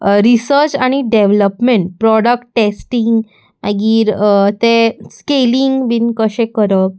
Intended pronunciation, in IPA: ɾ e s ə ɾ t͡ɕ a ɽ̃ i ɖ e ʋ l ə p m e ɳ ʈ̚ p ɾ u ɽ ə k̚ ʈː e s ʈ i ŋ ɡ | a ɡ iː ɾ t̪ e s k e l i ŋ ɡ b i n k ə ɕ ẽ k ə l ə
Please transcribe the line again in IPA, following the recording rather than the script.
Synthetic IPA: ɾ i s ə ɾ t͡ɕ a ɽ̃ i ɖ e ʋ l ə p m e ɳ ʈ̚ p ɾ ɔ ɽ ə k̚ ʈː e s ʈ i ŋ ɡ | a ɡ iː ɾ t̪ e s k e l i ŋ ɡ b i n k ə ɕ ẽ k ə ɾ ə

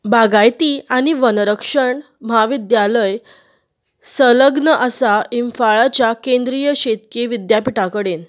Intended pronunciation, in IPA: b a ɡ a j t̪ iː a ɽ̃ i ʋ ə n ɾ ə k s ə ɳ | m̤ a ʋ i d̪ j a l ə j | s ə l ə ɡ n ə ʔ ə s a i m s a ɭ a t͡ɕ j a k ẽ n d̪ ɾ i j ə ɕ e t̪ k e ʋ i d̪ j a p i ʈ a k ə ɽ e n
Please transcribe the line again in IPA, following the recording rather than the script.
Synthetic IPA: b a ɡ a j t̪ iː a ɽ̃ i ʋ ə n ɾ ə k ʂ ə ɳ | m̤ a ʋ i d̪ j a l ə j | s ə l ə ɡ n ə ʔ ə s a i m f a ɭ a t͡ɕ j a k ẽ n d̪ ɾ i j ə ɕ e t̪ k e ʋ i d̪ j a p i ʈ a k ə ɽ e n

